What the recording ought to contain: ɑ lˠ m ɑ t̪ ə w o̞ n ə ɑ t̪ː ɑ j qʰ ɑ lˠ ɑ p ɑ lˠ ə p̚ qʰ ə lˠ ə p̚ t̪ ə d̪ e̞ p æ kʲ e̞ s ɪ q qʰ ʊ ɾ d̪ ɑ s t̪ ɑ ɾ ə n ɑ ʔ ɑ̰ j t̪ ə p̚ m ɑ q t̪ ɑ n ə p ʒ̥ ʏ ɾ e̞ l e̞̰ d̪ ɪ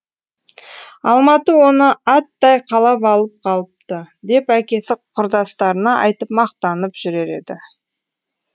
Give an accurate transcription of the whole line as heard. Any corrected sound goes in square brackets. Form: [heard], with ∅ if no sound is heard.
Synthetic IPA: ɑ lˠ m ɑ t̪ ə w o̞ n ə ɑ t̪ː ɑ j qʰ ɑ lˠ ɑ p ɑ lˠ ə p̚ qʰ [ɑ] lˠ ə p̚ t̪ ə d̪ e̞ p æ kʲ e̞ s ɪ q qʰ ʊ ɾ d̪ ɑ s t̪ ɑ ɾ ə n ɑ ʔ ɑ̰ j t̪ ə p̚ m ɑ q t̪ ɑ n ə p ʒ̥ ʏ ɾ e̞ [ɾ] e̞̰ d̪ ɪ